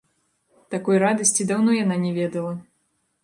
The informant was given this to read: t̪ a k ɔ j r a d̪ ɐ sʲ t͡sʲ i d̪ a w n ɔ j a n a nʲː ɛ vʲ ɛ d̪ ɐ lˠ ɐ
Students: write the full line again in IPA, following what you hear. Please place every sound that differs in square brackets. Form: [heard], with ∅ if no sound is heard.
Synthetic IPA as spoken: t̪ a k ɔ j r a d̪ ɐ sʲ t͡sʲ i d̪ a w n ɔ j a n a [nʲ] ɛ vʲ ɛ d̪ ɐ lˠ ɐ